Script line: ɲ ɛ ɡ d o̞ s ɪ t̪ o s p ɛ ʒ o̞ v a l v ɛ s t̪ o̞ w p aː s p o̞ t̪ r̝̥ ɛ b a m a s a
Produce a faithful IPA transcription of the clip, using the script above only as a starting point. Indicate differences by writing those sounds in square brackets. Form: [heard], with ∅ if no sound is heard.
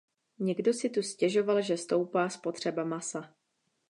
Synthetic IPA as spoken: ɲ ɛ ɡ d o̞ s ɪ t̪ [u] s [c] ɛ ʒ o̞ v a l [ʒ] ɛ s t̪ o̞ w p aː s p o̞ t̪ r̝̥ ɛ b a m a s a